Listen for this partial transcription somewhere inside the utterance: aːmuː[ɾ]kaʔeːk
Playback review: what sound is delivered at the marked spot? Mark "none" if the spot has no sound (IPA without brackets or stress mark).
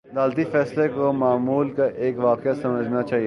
l